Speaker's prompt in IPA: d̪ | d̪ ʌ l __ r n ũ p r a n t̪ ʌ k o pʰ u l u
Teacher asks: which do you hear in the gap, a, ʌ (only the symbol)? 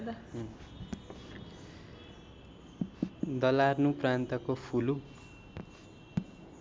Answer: a